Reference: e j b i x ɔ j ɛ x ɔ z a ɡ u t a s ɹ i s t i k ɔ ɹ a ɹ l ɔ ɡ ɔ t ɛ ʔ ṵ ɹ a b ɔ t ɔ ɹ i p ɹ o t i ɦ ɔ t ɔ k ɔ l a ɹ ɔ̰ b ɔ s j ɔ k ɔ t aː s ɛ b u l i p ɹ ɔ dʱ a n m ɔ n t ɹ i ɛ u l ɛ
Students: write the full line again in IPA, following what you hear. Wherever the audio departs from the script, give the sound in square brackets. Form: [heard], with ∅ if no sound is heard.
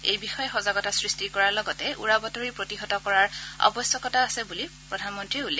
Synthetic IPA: e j b i x ɔ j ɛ x ɔ z a ɡ [ɔ] t a s ɹ i s t i k ɔ ɹ a ɹ l ɔ ɡ ɔ t ɛ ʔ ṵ ɹ a b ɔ t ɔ ɹ i p ɹ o t i ɦ ɔ t ɔ k ɔ [ɹ] a ɹ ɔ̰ b ɔ s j ɔ k ɔ t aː s ɛ b u l i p ɹ ɔ dʱ a n m ɔ n t ɹ i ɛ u l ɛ